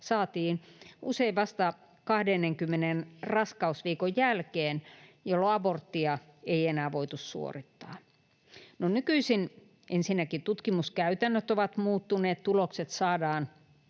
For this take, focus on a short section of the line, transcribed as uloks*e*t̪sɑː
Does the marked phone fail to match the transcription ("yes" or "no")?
no